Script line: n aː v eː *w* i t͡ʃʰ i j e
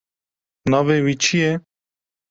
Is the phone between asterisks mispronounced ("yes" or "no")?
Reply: no